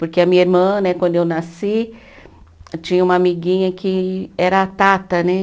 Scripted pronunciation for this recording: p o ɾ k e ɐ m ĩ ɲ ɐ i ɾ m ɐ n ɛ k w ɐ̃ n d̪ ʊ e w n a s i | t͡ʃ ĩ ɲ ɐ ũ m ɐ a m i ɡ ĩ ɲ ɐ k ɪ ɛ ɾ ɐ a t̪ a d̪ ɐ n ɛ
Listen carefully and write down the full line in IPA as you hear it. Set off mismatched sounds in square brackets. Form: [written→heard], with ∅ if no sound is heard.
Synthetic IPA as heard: p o ɾ k e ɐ m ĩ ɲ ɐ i ɾ m [ɐ→ɐ̃] n ɛ k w ɐ̃ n d̪ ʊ e w n a s i | t͡ʃ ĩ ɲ ɐ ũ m ɐ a m i ɡ ĩ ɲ ɐ k ɪ ɛ ɾ ɐ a t̪ a [d̪→t̪] ɐ n ɛ